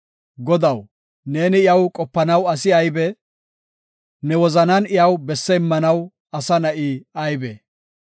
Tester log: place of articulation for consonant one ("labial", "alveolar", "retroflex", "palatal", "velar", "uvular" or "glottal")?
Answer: velar